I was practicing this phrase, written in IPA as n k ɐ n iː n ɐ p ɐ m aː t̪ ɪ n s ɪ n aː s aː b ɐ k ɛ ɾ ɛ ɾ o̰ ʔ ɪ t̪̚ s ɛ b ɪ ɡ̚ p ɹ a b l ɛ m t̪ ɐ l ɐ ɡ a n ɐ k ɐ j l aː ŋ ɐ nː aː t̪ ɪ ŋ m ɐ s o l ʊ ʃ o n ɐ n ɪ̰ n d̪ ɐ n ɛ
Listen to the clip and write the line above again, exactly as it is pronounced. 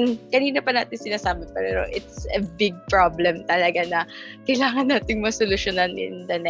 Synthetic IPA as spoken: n k ɐ n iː n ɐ p ɐ n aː t̪ ɪ n s ɪ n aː s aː b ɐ p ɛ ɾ ɛ ɾ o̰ ʔ ɪ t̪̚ s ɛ b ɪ ɡ̚ p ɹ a b l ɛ m t̪ ɐ l ɐ ɡ a n ɐ k ɐ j l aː ŋ ɐ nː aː t̪ ɪ ŋ m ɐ s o l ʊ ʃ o n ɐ n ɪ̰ n d̪ ɐ n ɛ